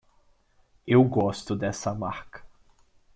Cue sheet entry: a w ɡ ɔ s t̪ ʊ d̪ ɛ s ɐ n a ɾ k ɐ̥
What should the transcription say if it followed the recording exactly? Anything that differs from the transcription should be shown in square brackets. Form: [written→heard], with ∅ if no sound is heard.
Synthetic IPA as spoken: [a→e] w ɡ ɔ s t̪ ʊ d̪ ɛ s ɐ [n→m] a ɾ k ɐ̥